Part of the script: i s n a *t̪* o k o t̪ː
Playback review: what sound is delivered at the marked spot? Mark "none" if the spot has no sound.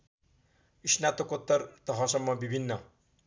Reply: t̪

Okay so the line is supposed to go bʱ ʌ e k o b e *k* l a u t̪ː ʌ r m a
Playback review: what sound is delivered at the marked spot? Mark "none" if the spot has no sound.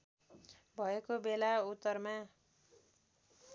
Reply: none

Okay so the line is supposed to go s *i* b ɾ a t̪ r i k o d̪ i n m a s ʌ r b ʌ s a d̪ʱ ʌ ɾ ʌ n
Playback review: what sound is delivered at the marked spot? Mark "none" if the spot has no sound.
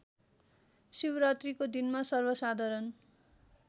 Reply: i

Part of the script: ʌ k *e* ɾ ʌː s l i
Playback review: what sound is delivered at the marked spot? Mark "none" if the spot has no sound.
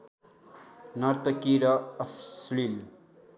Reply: i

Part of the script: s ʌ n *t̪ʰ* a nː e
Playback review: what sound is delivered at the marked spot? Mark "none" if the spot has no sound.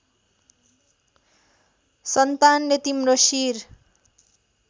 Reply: t̪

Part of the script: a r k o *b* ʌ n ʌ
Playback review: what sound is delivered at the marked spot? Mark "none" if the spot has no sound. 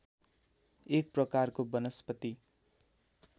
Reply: b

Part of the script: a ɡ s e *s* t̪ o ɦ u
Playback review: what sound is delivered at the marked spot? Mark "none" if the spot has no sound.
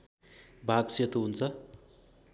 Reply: none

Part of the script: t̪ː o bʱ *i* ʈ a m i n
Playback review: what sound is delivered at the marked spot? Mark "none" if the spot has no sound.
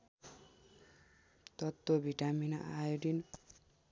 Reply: i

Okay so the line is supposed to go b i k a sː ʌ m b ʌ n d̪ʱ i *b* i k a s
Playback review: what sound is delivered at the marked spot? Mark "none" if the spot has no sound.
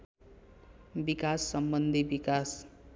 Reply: b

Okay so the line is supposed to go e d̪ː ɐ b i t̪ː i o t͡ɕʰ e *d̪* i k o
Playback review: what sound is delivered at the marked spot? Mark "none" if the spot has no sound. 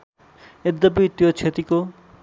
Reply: t̪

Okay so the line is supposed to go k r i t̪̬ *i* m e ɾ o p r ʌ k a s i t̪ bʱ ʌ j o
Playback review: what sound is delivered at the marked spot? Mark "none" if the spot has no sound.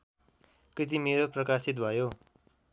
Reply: i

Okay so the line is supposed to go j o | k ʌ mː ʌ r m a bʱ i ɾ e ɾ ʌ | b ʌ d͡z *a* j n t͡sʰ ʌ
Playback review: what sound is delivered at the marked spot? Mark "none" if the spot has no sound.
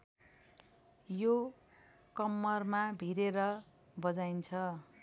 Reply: a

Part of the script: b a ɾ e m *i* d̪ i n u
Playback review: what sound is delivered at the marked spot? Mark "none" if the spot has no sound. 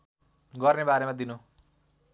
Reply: a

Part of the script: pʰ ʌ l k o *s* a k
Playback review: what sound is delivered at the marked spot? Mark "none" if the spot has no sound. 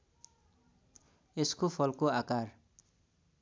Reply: none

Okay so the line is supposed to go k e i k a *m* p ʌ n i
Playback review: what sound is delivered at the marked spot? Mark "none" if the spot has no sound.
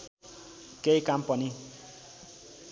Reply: m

